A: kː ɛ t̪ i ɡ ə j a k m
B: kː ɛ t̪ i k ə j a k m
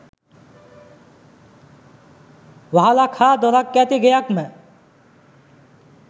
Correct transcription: A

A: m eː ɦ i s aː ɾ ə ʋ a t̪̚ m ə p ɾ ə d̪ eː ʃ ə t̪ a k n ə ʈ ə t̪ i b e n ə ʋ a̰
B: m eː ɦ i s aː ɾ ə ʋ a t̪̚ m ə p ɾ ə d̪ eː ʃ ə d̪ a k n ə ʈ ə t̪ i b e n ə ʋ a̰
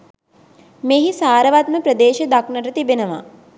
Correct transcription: B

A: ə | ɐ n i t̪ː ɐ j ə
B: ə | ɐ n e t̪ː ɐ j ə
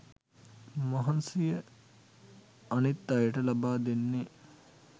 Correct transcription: A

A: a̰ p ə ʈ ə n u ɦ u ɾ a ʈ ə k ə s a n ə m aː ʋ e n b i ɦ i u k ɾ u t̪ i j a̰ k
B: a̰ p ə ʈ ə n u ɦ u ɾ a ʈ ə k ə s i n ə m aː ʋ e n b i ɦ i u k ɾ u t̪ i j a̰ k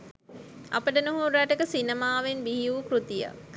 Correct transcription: B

